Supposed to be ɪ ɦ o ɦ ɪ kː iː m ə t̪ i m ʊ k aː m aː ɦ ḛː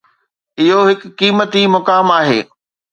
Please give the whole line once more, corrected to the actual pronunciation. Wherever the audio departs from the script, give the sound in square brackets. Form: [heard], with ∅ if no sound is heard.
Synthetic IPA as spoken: ɪ ɦ o ɦ ɪ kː iː m ə t̪ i m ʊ k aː m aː ɦ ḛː